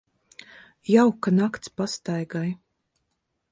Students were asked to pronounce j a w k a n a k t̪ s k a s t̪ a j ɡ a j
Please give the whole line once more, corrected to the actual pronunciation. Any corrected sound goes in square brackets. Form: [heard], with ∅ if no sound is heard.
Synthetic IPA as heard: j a w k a n a k t̪ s [p] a s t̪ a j ɡ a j